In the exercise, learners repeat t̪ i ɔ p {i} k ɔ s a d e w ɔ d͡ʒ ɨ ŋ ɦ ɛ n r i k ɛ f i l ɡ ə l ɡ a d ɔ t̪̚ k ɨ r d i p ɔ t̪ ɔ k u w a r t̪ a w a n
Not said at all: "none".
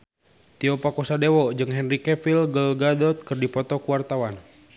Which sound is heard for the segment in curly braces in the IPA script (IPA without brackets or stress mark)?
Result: a